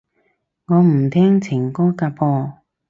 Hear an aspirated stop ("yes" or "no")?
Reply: yes